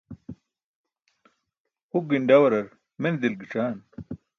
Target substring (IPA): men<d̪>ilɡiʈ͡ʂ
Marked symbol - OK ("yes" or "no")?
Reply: yes